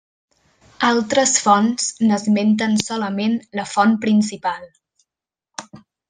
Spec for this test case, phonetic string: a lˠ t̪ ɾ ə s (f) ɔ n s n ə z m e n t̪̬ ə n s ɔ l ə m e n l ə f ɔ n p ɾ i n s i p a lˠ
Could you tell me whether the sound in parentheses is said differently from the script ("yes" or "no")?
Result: no